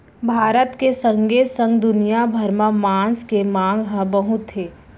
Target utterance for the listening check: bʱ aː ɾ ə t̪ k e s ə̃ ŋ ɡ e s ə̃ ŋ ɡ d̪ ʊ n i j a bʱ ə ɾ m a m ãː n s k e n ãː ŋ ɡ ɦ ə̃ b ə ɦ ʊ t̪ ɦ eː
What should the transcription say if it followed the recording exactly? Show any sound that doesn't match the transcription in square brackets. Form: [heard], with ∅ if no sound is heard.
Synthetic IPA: bʱ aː ɾ ə t̪ k e s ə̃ ŋ ɡ e s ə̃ ŋ ɡ d̪ ʊ n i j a bʱ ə ɾ m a m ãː n s k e [m] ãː ŋ ɡ ɦ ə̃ b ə ɦ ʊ t̪ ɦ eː